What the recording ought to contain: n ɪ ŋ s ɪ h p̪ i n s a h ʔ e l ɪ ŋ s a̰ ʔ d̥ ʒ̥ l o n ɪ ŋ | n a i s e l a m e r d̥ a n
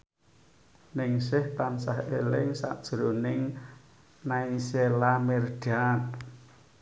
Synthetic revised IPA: n ɪ ŋ s ɪ h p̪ a n s a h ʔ e l ɪ ŋ s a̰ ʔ d̥ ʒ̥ ɾ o n ɪ ŋ | n a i s e l a m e r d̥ a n